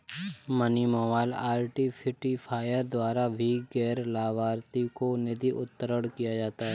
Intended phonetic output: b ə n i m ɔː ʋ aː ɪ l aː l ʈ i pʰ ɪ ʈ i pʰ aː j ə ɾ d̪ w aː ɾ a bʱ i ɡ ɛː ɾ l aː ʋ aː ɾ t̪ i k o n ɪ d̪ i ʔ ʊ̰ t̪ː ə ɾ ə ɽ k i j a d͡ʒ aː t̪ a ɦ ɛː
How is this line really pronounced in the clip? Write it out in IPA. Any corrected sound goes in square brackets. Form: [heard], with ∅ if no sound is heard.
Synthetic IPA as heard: [m] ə n i m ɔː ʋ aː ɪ l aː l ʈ i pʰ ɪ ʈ i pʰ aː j ə ɾ d̪ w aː ɾ a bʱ i ɡ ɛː ɾ l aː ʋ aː ɾ t̪ i k o n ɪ d̪ i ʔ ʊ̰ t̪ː ə ɾ ə ɽ k i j a d͡ʒ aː t̪ a ɦ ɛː

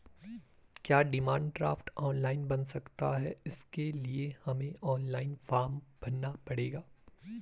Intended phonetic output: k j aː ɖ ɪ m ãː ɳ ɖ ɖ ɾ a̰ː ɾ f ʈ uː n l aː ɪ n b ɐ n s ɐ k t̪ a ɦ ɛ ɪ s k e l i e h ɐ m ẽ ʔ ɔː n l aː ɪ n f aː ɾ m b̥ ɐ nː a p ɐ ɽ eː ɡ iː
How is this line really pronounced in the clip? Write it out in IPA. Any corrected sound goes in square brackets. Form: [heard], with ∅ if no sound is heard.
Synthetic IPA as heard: k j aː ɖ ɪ m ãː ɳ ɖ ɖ ɾ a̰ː [∅] f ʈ [ɔː] n l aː ɪ n b ɐ n s ɐ k t̪ a ɦ ɛ ɪ s k e l i e h ɐ m ẽ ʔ ɔː n l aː ɪ n f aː ɾ m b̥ ɐ nː a p ɐ ɽ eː ɡ [aː]

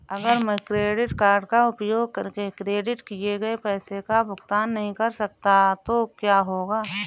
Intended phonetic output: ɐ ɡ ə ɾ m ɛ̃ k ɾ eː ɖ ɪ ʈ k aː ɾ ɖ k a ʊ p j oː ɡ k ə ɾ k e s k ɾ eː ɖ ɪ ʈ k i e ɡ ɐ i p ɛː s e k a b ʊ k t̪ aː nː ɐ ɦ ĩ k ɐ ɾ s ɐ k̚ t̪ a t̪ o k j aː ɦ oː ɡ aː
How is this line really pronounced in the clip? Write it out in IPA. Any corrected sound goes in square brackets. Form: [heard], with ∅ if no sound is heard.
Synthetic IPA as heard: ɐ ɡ ə ɾ m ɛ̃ k ɾ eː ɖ ɪ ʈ k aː ɾ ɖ k a ʊ p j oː ɡ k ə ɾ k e [∅] k ɾ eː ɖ ɪ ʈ k i e ɡ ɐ [e] p ɛː s e k a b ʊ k t̪ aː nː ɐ ɦ ĩ k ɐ ɾ s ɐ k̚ t̪ a t̪ o k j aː ɦ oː ɡ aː

